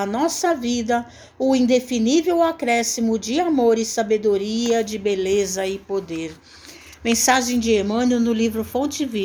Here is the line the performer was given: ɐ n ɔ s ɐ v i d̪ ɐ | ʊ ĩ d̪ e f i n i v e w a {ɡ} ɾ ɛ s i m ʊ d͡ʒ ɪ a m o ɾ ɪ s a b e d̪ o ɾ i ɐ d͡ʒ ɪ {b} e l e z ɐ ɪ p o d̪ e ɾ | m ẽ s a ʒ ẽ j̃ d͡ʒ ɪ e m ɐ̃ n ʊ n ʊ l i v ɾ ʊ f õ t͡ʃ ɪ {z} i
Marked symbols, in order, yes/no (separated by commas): no, yes, no